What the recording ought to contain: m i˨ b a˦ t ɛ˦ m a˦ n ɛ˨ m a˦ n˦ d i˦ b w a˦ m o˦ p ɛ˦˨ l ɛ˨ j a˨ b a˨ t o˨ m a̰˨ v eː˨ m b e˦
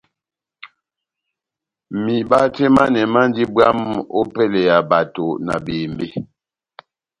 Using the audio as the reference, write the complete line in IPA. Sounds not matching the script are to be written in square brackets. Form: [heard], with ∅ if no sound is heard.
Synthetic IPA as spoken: m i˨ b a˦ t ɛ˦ m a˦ n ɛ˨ m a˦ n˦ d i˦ b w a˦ m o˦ p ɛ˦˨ l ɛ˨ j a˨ b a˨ t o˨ [n] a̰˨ [b] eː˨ m b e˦